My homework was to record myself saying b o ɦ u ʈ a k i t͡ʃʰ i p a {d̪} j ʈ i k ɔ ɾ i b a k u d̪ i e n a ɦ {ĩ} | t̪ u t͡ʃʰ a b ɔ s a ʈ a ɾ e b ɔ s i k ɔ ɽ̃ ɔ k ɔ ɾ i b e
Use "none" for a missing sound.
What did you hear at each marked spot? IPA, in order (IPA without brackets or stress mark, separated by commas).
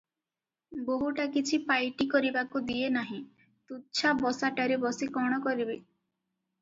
none, ĩ